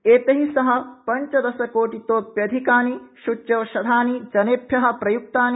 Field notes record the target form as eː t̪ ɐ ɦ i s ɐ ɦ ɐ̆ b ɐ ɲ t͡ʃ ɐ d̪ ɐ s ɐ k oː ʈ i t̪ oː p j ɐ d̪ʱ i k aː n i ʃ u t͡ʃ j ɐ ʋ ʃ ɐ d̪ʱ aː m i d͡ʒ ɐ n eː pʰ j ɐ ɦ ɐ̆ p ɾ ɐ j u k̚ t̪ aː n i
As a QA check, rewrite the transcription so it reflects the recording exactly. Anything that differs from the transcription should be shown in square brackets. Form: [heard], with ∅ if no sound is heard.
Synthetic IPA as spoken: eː t̪ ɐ ɦ i s ɐ ɦ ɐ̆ [p] ɐ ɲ t͡ʃ ɐ d̪ ɐ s ɐ k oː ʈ i t̪ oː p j ɐ d̪ʱ i k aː n i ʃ u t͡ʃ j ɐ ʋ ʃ ɐ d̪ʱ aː [n] i d͡ʒ ɐ n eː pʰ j ɐ ɦ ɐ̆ p ɾ ɐ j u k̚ t̪ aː n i

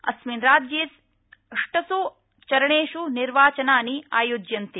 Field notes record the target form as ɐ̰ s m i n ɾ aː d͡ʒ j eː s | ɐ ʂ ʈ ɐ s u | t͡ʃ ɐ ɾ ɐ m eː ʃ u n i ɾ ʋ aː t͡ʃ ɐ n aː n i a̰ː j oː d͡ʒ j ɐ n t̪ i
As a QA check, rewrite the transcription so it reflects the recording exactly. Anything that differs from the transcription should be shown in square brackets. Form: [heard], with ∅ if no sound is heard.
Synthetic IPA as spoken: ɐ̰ s m i n ɾ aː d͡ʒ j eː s | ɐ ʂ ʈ ɐ s u | t͡ʃ ɐ ɾ ɐ [ɳ] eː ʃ u n i ɾ ʋ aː t͡ʃ ɐ n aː n i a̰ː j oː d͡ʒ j ɐ n t̪ i

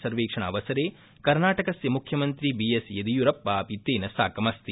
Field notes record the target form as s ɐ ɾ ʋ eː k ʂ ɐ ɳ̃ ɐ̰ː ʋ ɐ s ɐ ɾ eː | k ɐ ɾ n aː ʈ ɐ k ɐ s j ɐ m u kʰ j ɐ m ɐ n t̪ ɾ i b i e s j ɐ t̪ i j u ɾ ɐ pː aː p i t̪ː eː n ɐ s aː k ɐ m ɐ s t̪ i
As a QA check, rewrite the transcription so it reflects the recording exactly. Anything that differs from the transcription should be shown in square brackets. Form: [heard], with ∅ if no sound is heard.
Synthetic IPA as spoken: s ɐ ɾ ʋ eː k ʂ ɐ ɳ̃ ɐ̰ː ʋ ɐ s ɐ ɾ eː | k ɐ ɾ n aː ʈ ɐ k ɐ s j ɐ m u kʰ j ɐ m ɐ n t̪ ɾ i b i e s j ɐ [d̪] i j u ɾ ɐ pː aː p i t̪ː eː n ɐ s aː k ɐ m ɐ s t̪ i

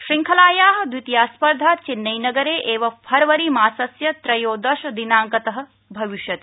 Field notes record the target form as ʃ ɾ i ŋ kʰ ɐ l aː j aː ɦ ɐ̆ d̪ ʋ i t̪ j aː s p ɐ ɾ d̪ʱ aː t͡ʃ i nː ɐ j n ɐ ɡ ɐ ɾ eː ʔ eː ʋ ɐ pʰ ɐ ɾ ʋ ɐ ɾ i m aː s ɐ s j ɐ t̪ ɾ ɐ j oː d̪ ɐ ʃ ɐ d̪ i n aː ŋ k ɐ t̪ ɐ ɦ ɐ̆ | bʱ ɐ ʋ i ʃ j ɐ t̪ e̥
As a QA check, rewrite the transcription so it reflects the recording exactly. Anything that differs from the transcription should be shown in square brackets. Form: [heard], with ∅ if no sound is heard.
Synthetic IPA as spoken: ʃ ɾ i ŋ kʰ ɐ l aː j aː ɦ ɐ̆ d̪ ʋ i t̪ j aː s p ɐ ɾ d̪ʱ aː t͡ʃ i nː ɐ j n ɐ ɡ ɐ ɾ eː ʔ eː ʋ ɐ pʰ ɐ ɾ ʋ ɐ ɾ i m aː s ɐ s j ɐ t̪ ɾ ɐ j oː d̪ ɐ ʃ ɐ d̪ i n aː ŋ k ɐ t̪ ɐ ɦ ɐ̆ | bʱ ɐ ʋ i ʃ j ɐ t̪ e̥

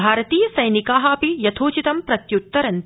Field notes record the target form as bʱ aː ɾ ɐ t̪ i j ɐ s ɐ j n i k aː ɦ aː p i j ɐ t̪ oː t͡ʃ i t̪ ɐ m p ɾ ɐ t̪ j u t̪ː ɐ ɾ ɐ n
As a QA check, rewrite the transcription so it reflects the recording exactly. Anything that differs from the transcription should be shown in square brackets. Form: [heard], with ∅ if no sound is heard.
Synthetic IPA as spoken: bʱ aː ɾ ɐ t̪ [iː] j ɐ s ɐ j n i k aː ɦ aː p i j ɐ [t̪ʰ] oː t͡ʃ i t̪ ɐ m p ɾ ɐ t̪ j u t̪ː ɐ ɾ ɐ n

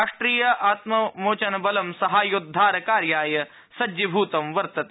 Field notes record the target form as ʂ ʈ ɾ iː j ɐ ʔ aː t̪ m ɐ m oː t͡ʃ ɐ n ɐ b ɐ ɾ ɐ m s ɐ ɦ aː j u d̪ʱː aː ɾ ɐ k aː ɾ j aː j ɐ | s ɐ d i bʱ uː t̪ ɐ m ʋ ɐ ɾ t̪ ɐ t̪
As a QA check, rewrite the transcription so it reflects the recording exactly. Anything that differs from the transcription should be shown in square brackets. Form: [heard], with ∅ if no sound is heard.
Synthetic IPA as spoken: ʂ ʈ ɾ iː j ɐ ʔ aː t̪ m ɐ m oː t͡ʃ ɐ n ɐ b ɐ [l] ɐ m s ɐ ɦ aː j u d̪ʱː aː ɾ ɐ k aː ɾ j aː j ɐ | s ɐ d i bʱ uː t̪ ɐ m ʋ ɐ ɾ t̪ ɐ t̪

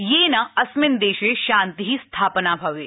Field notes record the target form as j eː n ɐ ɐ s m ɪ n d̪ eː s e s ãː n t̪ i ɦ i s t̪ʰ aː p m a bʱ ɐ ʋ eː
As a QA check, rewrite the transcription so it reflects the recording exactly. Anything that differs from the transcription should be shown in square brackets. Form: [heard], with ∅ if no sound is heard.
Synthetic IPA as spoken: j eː n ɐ ɐ s m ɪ n d̪ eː [ʃ] e [ʃ] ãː n t̪ i ɦ i s t̪ʰ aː p [n] a bʱ ɐ ʋ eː

